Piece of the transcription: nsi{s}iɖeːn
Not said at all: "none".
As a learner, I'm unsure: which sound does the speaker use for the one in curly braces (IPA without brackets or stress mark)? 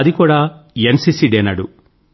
s